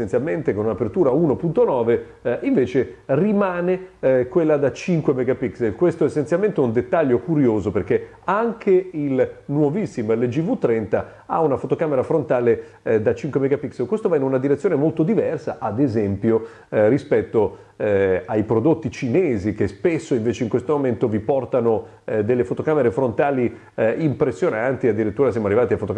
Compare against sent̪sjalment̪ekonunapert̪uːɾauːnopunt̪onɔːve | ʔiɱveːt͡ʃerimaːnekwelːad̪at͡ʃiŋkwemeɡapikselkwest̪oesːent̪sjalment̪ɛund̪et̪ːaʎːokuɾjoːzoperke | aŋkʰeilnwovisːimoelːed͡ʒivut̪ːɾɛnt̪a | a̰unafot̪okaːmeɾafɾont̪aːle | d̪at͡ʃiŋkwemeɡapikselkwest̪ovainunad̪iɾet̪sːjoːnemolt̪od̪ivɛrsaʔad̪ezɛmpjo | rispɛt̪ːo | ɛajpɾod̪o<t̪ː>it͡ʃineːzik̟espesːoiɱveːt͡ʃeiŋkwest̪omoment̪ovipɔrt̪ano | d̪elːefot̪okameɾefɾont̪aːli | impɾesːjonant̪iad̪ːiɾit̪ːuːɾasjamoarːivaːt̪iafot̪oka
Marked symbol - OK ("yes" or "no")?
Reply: yes